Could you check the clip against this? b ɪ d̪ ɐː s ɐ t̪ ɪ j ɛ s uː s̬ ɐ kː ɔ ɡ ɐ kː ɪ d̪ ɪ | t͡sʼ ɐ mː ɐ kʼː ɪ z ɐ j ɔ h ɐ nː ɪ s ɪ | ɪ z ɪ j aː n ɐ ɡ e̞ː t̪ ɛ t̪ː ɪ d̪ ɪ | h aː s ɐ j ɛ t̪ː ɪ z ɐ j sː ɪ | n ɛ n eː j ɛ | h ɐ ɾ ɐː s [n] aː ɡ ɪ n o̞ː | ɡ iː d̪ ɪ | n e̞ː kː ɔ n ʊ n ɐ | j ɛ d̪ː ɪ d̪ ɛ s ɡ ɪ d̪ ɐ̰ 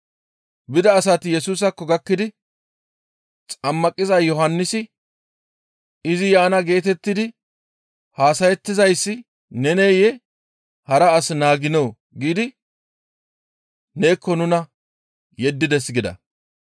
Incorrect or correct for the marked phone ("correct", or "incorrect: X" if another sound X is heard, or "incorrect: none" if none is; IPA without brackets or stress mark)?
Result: correct